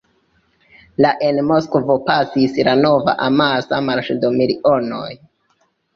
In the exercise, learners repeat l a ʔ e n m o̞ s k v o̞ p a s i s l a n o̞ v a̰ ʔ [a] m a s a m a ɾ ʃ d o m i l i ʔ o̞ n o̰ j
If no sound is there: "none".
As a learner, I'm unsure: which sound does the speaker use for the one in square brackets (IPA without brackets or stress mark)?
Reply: a